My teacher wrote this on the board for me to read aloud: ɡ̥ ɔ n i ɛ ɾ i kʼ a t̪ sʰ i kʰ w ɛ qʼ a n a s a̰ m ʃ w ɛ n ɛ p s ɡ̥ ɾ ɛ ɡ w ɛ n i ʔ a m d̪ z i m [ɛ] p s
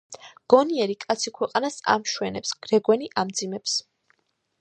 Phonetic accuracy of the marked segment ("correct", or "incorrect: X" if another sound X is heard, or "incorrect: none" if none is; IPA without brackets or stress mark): correct